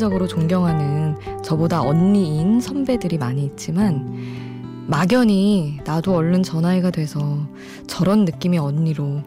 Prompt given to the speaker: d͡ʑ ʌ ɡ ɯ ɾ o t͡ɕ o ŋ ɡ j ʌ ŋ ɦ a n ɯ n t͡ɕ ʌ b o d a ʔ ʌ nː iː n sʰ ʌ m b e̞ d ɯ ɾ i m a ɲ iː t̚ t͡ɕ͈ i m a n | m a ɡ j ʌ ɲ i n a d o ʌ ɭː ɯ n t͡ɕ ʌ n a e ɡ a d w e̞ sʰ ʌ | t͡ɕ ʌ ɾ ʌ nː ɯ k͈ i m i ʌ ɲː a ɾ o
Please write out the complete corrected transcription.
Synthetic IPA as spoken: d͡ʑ ʌ ɡ ɯ ɾ o t͡ɕ o ŋ ɡ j ʌ ŋ ɦ a n ɯ n t͡ɕ ʌ b o d a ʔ ʌ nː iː n sʰ ʌ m b e̞ d ɯ ɾ i m a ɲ iː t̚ t͡ɕ͈ i m a n | m a ɡ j ʌ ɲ i n a d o ʌ ɭː ɯ n t͡ɕ ʌ n a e ɡ a d w e̞ sʰ ʌ | t͡ɕ ʌ ɾ ʌ nː ɯ k͈ i m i ʌ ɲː i ɾ o